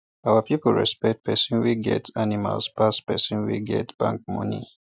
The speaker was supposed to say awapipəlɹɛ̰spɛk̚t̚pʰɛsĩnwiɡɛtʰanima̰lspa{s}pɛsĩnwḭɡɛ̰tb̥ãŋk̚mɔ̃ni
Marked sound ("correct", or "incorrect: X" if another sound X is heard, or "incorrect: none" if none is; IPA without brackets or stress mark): correct